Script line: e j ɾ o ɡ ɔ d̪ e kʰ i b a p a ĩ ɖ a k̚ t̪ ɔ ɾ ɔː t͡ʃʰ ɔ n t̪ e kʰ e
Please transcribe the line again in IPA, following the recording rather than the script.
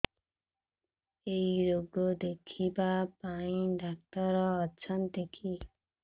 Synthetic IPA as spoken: e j ɾ o ɡ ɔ d̪ e kʰ i b a p a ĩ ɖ a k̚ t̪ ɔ ɾ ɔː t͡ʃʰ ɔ n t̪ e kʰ i